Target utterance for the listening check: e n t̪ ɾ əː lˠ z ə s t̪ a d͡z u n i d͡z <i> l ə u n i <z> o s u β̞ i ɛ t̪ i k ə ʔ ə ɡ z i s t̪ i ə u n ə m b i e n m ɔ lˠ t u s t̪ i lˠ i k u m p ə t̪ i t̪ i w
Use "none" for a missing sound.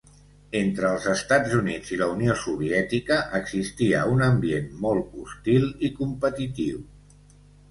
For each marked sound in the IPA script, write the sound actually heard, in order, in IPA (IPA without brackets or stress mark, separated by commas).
i, none